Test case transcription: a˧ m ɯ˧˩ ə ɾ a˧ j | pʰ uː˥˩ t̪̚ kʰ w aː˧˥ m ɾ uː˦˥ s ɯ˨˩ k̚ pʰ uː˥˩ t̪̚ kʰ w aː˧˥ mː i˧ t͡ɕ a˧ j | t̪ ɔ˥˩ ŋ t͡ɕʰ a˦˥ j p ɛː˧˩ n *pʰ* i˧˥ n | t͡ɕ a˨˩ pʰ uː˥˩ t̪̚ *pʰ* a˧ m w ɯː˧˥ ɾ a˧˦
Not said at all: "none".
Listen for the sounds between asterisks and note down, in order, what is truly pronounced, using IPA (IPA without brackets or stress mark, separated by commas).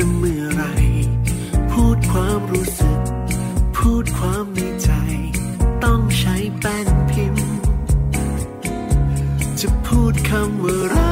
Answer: pʰ, kʰ